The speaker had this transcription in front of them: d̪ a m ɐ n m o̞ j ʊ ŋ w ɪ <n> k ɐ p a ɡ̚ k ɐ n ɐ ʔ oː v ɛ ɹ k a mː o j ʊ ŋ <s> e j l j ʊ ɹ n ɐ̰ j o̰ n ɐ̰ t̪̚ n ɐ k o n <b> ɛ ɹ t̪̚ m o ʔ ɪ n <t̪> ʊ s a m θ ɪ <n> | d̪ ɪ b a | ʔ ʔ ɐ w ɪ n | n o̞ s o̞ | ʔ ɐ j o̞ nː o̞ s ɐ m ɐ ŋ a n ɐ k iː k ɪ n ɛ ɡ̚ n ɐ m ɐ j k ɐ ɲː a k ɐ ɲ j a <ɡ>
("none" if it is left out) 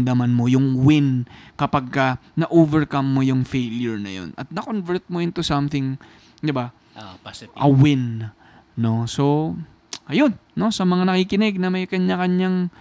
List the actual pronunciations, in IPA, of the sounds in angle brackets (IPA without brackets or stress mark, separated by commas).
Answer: n, f, v, t̪, ŋ, ŋ